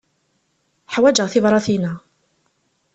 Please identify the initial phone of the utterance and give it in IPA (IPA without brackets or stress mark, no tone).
ħ